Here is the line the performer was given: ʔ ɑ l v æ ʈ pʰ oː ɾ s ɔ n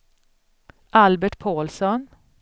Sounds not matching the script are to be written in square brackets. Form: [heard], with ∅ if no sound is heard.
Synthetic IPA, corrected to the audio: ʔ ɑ l [b] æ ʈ pʰ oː [l] s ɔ n